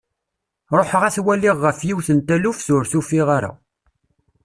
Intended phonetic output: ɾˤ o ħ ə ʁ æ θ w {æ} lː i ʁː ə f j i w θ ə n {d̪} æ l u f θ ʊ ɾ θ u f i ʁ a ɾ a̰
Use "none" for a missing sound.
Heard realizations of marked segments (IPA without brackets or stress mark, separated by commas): æ, t̪